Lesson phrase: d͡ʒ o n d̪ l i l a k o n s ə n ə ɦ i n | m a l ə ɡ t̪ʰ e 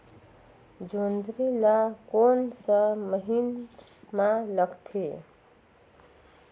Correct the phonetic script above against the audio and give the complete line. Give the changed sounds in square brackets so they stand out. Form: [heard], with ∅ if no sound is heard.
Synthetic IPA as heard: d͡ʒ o n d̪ [ɾ] i l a k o n s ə [m] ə ɦ i n | m a l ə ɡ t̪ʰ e